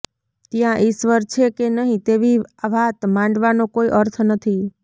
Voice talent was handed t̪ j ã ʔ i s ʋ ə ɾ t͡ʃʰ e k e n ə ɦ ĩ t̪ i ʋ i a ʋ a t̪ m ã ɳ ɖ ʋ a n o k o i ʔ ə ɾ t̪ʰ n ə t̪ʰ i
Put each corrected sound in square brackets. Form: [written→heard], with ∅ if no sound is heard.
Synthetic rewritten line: t̪ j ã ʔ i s ʋ ə ɾ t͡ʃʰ e k e n ə ɦ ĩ t̪ [i→e] ʋ i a ʋ a t̪ m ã ɳ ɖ ʋ a n o k o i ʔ ə ɾ t̪ʰ n ə t̪ʰ i

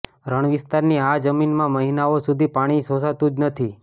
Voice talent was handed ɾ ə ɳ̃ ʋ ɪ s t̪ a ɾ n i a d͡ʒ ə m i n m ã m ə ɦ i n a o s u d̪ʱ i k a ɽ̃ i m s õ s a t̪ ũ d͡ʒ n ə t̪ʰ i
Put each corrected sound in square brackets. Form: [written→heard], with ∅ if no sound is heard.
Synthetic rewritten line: ɾ ə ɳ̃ ʋ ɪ s t̪ a ɾ n i a d͡ʒ ə m i n m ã m ə ɦ i n a o s u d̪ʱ i [k→p] a ɽ̃ i [m→∅] s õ s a t̪ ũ d͡ʒ n ə t̪ʰ i

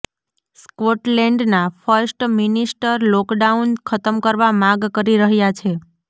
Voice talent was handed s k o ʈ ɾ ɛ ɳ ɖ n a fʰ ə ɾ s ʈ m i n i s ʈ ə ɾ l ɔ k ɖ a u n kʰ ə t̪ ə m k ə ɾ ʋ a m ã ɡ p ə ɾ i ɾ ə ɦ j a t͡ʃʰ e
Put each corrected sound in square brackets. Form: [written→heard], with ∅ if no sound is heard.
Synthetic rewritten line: s k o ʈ [ɾ→l] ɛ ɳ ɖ n a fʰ ə ɾ s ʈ m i n i s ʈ ə ɾ l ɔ k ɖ a u n kʰ ə t̪ ə m k ə ɾ ʋ a m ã ɡ [p→k] ə ɾ i ɾ ə ɦ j a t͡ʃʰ e

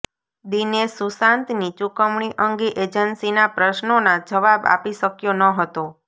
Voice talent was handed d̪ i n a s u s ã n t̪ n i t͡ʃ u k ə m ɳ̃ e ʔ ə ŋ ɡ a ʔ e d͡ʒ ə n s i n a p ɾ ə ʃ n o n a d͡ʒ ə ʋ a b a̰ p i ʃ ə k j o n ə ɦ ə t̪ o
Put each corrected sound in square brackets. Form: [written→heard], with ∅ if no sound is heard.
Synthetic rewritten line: d̪ i n [a→e] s u s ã n t̪ n i t͡ʃ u k ə m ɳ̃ [e→i] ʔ ə ŋ ɡ [a→e] ʔ e d͡ʒ ə n s i n a p ɾ ə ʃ n o n a d͡ʒ ə ʋ a b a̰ p i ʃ ə k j o n ə ɦ ə t̪ o

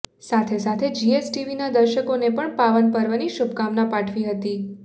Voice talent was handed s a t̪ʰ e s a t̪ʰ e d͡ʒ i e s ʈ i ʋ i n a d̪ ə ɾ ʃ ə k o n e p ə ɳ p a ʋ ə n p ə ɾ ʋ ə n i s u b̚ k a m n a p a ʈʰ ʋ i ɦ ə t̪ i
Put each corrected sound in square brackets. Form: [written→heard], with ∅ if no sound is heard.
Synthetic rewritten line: s a t̪ʰ e s a t̪ʰ e d͡ʒ i e s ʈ i ʋ i n a d̪ ə ɾ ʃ ə k o n e p ə ɳ p a ʋ ə n p ə ɾ ʋ [ə→a] n i [s→ʃ] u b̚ k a m n a p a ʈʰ ʋ i ɦ ə t̪ i

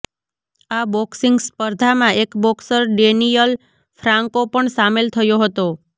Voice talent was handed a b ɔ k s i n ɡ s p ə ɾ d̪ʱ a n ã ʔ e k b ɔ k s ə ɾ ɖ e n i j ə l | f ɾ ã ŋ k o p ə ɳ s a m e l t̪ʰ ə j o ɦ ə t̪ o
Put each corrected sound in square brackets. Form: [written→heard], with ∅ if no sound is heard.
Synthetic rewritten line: a b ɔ k s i [n→ŋ] ɡ s p ə ɾ d̪ʱ a [n→m] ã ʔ e k b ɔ k s ə ɾ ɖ e n i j ə l | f ɾ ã ŋ k o p ə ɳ s a m e l t̪ʰ ə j o ɦ ə t̪ o

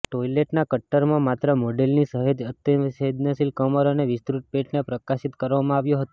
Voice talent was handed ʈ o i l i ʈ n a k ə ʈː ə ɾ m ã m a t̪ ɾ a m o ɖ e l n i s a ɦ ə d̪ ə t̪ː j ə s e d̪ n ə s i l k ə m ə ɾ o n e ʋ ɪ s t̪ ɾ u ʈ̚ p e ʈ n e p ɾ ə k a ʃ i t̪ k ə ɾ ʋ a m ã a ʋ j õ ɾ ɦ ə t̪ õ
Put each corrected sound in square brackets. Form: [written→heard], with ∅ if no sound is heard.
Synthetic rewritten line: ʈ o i l [i→e] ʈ n a k ə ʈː ə ɾ m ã m a t̪ ɾ [a→ə] m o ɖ e l n i s [a→ə] ɦ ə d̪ ə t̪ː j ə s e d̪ n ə s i l k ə m ə ɾ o n e ʋ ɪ s t̪ ɾ u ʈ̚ p e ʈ n e p ɾ ə k a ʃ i t̪ k ə ɾ ʋ a m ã a ʋ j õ [ɾ→∅] ɦ ə t̪ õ

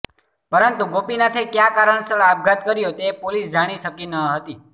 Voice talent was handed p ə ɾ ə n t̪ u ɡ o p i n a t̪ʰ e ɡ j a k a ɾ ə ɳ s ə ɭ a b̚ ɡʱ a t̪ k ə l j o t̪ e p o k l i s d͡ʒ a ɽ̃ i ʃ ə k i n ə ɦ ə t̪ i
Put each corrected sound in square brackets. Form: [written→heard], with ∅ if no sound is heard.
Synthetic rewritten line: p ə ɾ ə n t̪ u ɡ o p i n a t̪ʰ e [ɡ→k] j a k a ɾ ə ɳ s ə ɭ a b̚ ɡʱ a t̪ k ə [l→ɾ] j o t̪ e p o [k→∅] l i s d͡ʒ a ɽ̃ i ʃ ə k i n ə ɦ ə t̪ i

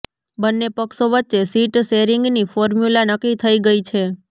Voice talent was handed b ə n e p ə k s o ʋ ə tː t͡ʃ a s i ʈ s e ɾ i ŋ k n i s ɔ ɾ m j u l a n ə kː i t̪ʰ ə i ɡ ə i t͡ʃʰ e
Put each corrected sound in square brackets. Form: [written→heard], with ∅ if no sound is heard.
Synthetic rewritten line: b ə [n→nː] e p ə k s o ʋ ə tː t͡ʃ [a→e] s i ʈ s e ɾ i ŋ [k→ɡ] n i [s→f] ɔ ɾ m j u l a n ə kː i t̪ʰ ə i ɡ ə i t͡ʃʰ e

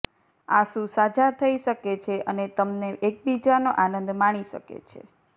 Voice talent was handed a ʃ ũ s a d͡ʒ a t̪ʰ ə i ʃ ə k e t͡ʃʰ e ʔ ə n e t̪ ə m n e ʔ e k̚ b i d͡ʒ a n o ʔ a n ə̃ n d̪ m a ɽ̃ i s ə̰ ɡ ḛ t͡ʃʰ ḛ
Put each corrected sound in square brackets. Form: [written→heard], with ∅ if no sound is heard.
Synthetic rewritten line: a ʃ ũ s a d͡ʒ a t̪ʰ ə i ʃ ə k e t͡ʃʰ e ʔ ə n e t̪ ə m n e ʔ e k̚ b i d͡ʒ a n o ʔ a n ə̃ n d̪ m a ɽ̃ i [s→ʃ] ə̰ [ɡ→k] ḛ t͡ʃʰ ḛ

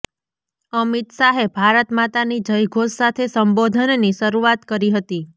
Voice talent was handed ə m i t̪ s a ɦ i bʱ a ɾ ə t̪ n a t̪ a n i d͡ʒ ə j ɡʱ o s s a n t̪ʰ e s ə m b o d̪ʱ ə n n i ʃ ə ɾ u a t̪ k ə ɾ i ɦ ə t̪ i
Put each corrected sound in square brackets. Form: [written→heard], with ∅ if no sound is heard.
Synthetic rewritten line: ə m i t̪ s a ɦ [i→e] bʱ a ɾ ə t̪ [n→m] a t̪ a n i d͡ʒ ə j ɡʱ o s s a [n→∅] t̪ʰ e s ə m b o d̪ʱ ə n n i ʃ ə ɾ u a t̪ k ə ɾ i ɦ ə t̪ i

